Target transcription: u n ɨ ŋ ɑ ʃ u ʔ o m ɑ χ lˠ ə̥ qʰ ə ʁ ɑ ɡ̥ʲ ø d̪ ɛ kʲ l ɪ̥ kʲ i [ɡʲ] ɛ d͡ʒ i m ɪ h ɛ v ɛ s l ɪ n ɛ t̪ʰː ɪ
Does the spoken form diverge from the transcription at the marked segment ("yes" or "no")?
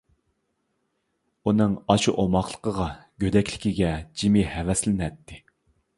no